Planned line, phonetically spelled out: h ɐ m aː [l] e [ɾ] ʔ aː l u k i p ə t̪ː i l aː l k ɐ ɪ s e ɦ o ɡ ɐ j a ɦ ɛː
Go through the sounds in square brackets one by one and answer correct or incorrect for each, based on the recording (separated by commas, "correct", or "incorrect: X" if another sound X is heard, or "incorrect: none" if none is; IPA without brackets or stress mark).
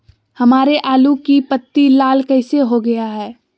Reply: incorrect: ɾ, incorrect: none